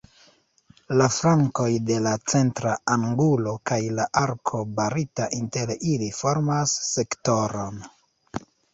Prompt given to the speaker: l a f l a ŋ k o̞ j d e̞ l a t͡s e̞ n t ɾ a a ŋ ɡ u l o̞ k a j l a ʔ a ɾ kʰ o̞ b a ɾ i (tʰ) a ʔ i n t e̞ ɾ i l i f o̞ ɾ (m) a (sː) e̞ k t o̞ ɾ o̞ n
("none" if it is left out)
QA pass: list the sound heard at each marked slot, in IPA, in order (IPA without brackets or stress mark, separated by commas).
t, m, sː